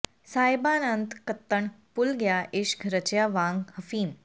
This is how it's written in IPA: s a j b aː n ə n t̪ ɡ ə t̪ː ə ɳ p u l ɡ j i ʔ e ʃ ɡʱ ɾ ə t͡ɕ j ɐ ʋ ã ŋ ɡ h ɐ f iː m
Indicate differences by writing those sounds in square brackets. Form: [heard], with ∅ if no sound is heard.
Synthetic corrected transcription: s a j b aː n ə n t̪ [k] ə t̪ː ə ɳ p u l ɡ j [a] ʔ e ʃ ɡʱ ɾ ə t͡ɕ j [a] ʋ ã ŋ ɡ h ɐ f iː m